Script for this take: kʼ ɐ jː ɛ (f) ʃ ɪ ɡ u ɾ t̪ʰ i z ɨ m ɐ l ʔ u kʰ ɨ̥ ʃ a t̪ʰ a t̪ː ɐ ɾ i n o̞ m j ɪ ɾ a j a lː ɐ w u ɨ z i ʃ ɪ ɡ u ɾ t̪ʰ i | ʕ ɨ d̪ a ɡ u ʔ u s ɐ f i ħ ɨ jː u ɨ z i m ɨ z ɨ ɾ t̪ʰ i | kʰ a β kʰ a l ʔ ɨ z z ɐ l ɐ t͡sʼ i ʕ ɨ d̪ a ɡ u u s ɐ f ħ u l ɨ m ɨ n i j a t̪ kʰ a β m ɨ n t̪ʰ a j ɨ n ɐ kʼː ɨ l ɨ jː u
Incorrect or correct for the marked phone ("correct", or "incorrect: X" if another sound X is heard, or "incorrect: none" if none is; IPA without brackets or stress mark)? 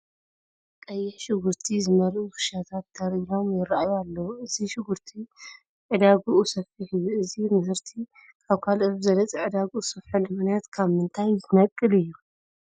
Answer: incorrect: ħ